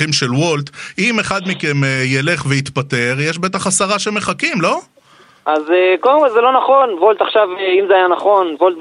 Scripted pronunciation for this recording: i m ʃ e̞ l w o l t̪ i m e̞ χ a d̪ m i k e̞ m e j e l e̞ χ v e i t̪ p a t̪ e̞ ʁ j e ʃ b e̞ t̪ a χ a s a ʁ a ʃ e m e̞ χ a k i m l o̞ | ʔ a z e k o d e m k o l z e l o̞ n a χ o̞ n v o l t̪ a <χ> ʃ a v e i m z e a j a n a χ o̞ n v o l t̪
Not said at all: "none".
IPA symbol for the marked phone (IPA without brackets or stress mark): χ